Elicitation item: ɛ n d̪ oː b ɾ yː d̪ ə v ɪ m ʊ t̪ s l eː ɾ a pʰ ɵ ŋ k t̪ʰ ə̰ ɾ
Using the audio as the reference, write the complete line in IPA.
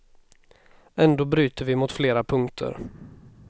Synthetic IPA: ɛ n d̪ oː b ɾ yː t̪ ə v ɪ m ʊ t̪ f l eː ɾ a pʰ ɵ ŋ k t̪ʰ ə̰ ɾ